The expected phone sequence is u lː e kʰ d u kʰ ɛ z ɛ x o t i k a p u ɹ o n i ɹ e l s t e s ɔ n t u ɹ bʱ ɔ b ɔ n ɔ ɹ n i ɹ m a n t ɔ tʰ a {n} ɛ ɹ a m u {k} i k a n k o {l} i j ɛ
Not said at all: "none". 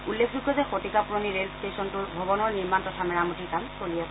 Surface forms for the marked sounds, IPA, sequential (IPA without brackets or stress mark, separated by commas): m, t, l